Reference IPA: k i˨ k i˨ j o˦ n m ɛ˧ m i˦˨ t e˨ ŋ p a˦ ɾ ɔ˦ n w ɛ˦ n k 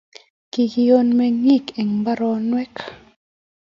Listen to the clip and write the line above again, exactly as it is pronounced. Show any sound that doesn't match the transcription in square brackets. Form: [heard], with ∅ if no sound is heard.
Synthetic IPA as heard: k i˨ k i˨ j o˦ n m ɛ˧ [ŋ] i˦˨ [k] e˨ ŋ [b] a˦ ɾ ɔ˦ n w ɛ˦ [∅] k